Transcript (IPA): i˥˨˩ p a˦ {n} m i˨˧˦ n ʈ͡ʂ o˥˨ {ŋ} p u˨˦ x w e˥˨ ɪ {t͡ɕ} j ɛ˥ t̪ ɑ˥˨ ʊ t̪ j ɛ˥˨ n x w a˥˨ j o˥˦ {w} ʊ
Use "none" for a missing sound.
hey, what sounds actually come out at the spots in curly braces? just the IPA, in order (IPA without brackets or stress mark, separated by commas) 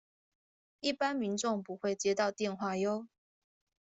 n, ŋ, t͡ɕ, none